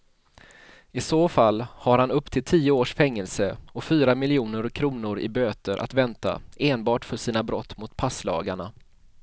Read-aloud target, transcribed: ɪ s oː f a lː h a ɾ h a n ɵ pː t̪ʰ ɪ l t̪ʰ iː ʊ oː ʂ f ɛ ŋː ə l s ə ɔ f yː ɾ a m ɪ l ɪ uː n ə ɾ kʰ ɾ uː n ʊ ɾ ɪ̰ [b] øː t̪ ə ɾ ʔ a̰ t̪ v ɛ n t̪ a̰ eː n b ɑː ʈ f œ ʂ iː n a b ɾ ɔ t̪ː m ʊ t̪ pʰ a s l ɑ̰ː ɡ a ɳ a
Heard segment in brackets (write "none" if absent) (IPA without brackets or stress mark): b